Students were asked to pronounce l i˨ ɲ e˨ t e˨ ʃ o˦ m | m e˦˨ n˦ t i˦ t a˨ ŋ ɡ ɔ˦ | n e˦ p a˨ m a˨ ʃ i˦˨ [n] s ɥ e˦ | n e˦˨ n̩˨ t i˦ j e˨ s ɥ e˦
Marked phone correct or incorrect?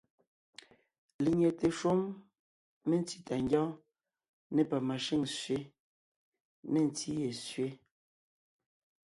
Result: incorrect